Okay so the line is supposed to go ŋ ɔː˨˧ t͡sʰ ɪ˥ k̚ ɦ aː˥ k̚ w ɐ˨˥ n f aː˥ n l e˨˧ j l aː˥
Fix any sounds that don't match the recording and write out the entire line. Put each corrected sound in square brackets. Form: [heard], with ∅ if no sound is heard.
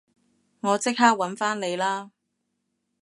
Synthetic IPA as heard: ŋ ɔː˨˧ [t͡s] ɪ˥ k̚ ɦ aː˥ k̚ w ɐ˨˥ n f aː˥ n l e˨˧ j l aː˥